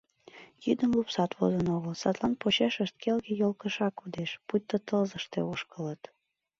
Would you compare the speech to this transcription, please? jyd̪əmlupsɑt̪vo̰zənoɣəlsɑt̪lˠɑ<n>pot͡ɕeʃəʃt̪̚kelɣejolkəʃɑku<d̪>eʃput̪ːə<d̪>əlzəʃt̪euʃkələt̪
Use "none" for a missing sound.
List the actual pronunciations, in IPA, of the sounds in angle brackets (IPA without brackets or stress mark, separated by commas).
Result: n, d̪, t̪